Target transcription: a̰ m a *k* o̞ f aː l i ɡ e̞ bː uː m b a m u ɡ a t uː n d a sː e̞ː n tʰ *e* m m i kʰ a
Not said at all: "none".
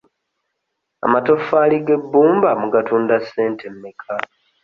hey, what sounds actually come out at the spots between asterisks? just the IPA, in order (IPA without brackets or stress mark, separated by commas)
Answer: t, e